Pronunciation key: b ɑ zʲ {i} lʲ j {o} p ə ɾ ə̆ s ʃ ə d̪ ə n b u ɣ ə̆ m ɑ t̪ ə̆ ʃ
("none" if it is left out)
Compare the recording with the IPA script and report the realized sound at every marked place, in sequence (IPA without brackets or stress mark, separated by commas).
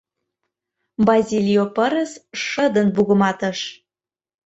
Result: i, o